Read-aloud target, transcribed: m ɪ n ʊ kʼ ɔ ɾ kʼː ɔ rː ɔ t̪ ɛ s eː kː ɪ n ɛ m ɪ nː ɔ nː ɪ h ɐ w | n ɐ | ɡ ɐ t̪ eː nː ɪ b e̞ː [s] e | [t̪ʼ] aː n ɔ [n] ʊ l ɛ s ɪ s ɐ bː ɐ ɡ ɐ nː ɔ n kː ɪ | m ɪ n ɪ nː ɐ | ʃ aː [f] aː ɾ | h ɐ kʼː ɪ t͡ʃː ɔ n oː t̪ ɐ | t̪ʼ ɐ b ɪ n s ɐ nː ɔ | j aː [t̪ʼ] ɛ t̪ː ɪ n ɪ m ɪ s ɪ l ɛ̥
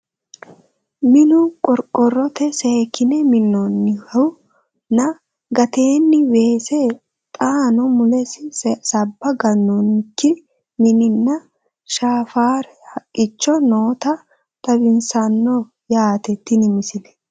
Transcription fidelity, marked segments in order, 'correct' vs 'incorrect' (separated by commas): correct, correct, incorrect, correct, incorrect